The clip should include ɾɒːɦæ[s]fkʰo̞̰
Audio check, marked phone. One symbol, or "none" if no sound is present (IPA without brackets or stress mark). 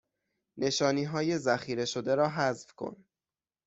z